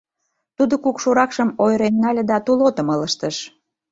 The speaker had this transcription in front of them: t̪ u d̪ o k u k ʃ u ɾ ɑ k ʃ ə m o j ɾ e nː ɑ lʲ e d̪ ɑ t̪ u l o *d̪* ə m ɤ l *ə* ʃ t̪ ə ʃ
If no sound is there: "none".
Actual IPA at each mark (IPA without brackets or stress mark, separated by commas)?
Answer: t̪, ə